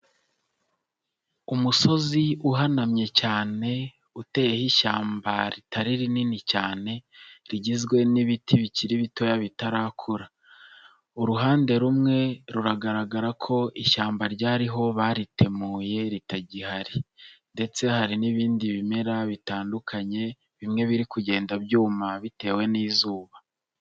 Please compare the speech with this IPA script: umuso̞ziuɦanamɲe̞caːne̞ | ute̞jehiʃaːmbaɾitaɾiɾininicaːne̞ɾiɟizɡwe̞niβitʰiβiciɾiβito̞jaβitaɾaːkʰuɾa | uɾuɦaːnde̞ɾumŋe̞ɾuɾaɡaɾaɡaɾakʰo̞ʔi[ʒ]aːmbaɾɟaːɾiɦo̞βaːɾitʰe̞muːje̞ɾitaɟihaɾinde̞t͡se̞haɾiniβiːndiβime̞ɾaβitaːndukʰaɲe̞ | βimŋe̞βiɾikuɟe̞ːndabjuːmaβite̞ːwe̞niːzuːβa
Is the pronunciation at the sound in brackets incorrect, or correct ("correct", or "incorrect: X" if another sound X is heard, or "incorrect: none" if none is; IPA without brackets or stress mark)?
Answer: incorrect: ʃ